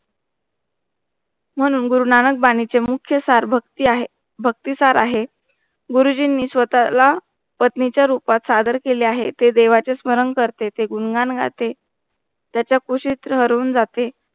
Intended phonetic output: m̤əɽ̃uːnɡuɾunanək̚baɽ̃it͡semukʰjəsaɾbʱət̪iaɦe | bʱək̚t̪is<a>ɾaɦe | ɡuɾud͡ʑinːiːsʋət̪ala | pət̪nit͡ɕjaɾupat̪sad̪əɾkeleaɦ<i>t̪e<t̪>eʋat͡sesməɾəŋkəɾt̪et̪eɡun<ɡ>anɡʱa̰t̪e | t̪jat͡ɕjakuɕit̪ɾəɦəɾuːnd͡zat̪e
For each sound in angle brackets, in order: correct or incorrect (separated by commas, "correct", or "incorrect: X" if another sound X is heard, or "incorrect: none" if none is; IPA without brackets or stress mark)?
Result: correct, incorrect: e, incorrect: d̪, correct